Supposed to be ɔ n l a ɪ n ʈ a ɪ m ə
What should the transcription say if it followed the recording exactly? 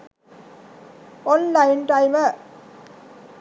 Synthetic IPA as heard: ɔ n l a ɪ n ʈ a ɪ m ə